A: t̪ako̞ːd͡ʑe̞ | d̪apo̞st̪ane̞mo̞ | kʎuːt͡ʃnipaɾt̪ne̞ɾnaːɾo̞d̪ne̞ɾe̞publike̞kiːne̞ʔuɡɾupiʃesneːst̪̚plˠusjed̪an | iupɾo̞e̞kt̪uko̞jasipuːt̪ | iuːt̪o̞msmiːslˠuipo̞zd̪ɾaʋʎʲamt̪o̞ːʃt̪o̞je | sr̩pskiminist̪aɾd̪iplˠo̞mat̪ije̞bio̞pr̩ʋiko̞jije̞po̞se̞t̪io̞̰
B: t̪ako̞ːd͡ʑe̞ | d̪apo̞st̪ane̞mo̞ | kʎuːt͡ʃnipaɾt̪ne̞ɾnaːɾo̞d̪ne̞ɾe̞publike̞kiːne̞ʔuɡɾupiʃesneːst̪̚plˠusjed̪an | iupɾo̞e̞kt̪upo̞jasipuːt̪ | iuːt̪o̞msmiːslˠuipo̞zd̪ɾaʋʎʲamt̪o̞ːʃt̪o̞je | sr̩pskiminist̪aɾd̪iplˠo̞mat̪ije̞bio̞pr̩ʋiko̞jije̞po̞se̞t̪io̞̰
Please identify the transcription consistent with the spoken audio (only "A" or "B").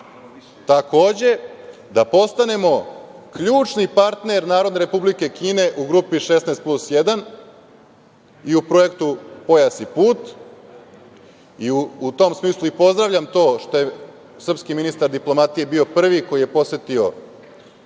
B